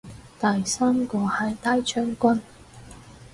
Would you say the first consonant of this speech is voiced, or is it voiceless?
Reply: voiceless